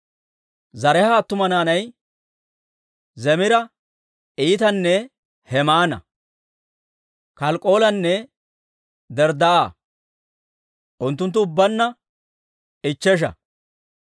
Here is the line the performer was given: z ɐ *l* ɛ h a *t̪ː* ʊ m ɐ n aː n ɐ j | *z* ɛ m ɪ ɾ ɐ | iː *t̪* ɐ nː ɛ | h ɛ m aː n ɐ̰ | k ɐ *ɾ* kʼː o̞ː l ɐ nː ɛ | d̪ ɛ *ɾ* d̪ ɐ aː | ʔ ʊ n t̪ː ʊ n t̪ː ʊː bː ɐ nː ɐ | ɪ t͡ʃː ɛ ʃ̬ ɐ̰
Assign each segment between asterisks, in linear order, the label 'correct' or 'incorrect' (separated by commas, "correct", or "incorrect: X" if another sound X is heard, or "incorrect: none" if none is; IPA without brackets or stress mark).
incorrect: ɾ, correct, correct, correct, incorrect: l, correct